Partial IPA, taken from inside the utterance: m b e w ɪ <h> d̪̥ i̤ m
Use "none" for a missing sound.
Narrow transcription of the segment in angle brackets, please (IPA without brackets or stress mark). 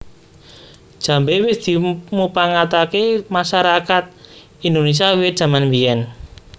s